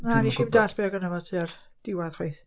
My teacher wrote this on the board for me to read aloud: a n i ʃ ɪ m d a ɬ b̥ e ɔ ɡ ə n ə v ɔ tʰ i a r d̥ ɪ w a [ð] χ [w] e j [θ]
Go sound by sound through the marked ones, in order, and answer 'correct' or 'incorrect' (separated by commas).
correct, correct, correct